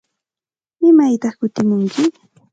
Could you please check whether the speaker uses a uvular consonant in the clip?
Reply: yes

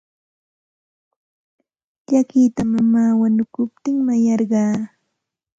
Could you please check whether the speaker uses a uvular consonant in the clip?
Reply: yes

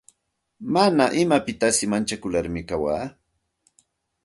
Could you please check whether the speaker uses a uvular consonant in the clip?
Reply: no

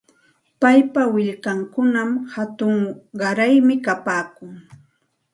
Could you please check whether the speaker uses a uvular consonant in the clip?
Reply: yes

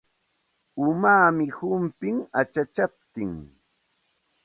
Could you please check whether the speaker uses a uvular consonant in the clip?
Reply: no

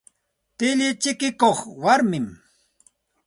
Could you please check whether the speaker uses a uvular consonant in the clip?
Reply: yes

